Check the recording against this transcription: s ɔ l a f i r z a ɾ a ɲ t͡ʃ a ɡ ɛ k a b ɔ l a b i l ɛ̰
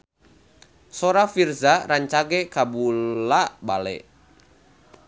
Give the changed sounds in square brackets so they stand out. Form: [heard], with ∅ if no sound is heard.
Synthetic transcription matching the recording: s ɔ [ɾ] a f i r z a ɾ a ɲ t͡ʃ a ɡ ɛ k a b [u] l a b [a] l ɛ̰